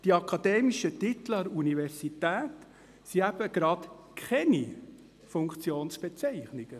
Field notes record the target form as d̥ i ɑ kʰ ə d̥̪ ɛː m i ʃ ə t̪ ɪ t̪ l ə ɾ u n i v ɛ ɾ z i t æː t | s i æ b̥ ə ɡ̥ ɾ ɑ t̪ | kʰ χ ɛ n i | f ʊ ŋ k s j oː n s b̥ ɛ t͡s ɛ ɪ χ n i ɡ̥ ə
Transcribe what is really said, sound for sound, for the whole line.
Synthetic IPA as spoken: d̥ i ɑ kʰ ɑ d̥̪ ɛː m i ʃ ə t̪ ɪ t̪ l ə ɾ u n i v ɛ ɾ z i t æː t | s i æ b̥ ə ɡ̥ ɾ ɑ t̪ | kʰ χ ɛ n i | f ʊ ŋ k t͡s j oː n s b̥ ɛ t͡s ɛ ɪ χ n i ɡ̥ ə

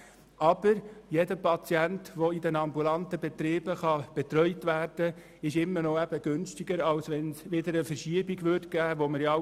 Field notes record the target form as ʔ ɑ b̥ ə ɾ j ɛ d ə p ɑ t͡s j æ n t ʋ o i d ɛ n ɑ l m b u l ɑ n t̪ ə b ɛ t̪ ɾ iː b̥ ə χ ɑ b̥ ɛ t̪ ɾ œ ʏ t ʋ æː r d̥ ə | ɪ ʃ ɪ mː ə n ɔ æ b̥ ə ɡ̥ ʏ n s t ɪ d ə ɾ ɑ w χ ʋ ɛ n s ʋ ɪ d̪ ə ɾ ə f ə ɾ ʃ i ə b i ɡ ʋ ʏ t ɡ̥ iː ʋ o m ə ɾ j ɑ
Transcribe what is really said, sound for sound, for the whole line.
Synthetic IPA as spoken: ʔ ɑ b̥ ə ɾ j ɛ d ə p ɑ t͡s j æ n t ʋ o i d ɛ n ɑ m b u l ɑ n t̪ ə b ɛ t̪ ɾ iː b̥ ə χ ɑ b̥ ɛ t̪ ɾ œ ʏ t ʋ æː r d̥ ə | ɪ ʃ ɪ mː ə n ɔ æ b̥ ə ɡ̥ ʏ n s t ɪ ɡ ə ɾ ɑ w s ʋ ɛ n s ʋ ɪ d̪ ə ɾ ə f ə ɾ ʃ i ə b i ɡ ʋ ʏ t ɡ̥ æː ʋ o m ə ɾ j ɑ

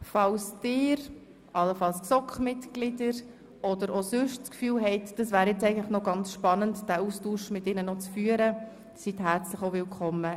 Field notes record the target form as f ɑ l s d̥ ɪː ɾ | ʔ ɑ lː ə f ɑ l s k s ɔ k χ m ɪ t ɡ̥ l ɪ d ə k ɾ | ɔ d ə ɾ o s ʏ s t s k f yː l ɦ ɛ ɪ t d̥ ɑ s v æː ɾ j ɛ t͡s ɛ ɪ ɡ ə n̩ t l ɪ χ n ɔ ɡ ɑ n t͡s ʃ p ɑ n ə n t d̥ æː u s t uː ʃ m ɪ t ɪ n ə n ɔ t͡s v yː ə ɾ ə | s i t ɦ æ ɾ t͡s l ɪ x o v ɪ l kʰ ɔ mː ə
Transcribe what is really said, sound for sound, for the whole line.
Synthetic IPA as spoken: f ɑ l s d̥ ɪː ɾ | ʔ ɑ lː ə f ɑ l s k s ɔ k χ m ɪ t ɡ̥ l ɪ d ə ɾ | ɔ d ə ɾ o s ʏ ʃ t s k f yː l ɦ ɛ ɪ t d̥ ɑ s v æː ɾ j ɛ t͡s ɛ ɪ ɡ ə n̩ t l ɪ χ n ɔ ɡ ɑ n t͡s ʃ p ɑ n ə n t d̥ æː u s t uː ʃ m ɪ t ɪ n ə n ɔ t͡s f yː ə ɾ ə | s i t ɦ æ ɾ t͡s l ɪ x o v ɪ l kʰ ɔ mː ə

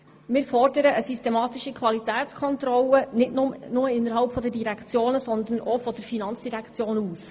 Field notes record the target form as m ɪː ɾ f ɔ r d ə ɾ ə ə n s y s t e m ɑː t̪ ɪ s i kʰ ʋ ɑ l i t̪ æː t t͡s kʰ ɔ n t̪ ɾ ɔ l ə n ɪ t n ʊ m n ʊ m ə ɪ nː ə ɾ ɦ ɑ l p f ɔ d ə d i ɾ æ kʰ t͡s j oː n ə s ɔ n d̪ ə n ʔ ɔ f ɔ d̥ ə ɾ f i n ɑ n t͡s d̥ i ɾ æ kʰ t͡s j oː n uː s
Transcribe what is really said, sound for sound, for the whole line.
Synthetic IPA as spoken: m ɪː ɾ f ɔ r d ə ɾ ə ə s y s t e m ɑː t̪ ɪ ʃ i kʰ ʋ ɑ l i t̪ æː t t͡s kʰ ɔ n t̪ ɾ ɔ l ə n ɪ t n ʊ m n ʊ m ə ɪ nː ə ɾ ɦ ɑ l p f ɔ d ə d i ɾ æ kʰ t͡s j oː n ə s ɔ n d̪ ə n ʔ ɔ f ɔ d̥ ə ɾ f i n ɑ n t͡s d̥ i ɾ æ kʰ t͡s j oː n uː s

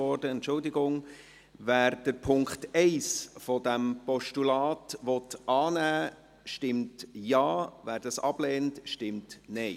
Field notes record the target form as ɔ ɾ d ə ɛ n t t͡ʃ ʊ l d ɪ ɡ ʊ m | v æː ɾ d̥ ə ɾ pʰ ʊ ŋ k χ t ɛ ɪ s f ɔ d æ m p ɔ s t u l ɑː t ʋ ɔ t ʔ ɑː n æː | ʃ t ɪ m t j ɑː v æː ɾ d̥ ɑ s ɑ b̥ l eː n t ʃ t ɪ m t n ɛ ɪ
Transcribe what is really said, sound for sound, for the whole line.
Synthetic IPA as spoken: ɔ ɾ d ə ɛ n t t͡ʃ ʊ l d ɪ ɡ ʊ ŋ | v æː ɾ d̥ ə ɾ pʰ ʊ ŋ k χ t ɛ ɪ s f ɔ d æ m p ɔ ʃ t u l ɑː t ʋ ɔ t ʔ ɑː n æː | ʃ t ɪ m t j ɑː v æː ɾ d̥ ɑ s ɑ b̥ l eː n t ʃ t ɪ m t n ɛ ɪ

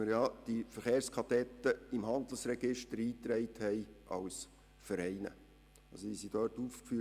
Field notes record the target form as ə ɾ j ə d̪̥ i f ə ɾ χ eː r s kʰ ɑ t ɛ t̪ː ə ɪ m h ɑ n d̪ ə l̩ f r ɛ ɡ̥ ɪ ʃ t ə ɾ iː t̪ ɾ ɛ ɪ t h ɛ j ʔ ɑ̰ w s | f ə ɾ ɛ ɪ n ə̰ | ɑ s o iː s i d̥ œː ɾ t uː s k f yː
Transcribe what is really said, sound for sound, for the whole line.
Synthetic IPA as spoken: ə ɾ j ɑ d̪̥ i f ə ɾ χ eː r s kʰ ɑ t ɛ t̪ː ə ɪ m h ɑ n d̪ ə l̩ s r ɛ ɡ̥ ɪ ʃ t ə ɾ iː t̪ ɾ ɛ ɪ t h ɛ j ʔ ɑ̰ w s | f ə ɾ ɛ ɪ n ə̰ | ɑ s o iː s i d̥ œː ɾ t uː f k f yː

